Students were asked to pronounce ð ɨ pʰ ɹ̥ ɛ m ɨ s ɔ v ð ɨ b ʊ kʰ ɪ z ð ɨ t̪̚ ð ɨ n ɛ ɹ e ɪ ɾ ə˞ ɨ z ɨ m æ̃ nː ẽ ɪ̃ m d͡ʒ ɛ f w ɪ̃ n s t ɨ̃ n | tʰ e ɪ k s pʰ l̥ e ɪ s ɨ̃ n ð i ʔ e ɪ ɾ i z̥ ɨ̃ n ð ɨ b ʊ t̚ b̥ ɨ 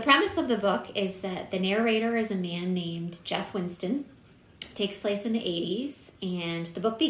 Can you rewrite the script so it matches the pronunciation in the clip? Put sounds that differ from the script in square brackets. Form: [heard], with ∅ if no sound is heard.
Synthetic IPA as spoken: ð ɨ pʰ ɹ̥ ɛ m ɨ s [ʌ] v ð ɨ b ʊ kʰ ɪ z ð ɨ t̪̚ ð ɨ n ɛ ɹ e ɪ ɾ ə˞ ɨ z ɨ m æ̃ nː ẽ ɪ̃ m d͡ʒ ɛ f w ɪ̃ n s t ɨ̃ n | tʰ e ɪ k s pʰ l̥ e ɪ s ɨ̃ n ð i ʔ e ɪ ɾ i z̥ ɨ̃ n ð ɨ b ʊ [k̚] b̥ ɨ